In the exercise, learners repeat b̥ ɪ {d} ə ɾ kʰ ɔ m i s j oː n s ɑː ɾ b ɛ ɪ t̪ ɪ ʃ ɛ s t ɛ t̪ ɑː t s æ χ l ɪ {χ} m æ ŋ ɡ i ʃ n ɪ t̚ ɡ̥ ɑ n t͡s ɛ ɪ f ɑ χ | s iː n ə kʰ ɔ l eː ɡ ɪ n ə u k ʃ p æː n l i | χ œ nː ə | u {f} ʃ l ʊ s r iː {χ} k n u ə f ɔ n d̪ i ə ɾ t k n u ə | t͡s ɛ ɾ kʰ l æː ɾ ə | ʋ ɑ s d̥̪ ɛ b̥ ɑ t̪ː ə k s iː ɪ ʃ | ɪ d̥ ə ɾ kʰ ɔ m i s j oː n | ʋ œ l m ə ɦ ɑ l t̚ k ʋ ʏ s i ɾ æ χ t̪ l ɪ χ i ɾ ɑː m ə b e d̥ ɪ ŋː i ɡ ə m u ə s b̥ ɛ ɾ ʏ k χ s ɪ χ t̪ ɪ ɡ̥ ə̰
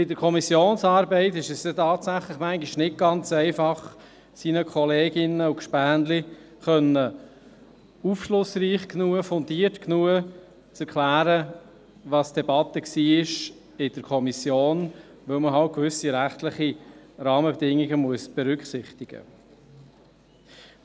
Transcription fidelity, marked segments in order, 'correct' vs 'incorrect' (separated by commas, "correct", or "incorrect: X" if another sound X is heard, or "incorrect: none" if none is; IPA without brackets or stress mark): correct, correct, correct, correct